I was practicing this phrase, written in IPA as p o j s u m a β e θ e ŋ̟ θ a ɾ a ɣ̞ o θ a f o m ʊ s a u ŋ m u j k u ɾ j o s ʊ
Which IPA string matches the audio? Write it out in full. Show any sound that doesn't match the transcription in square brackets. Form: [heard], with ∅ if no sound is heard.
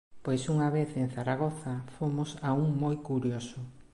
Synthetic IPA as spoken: p o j s u [ŋ] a β e θ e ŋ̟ θ a ɾ a ɣ̞ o θ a f o m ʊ s a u ŋ m [o] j k u ɾ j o s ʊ